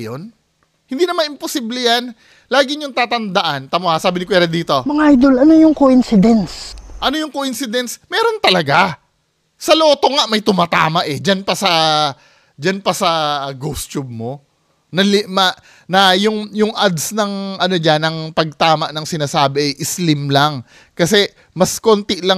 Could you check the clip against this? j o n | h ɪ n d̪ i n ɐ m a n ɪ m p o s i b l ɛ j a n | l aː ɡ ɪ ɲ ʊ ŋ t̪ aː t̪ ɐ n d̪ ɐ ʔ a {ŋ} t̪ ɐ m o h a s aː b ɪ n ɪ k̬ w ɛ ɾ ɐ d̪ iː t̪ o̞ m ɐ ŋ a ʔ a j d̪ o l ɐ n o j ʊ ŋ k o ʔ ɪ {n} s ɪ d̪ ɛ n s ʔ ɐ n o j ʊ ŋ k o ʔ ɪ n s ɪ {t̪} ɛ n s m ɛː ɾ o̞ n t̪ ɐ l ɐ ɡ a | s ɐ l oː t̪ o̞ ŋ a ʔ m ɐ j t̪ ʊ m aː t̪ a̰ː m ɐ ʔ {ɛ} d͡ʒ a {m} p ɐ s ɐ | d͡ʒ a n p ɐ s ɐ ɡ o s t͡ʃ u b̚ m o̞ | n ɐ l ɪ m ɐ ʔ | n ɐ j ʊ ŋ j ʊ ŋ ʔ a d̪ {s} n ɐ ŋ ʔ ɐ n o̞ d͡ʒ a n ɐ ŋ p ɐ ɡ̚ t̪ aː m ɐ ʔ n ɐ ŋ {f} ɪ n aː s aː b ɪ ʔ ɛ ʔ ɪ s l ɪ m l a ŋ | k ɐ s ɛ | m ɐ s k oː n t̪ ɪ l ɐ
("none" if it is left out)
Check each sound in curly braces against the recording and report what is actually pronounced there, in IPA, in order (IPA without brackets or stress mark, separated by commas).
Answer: n, n, d̪, ɛ, n, s, s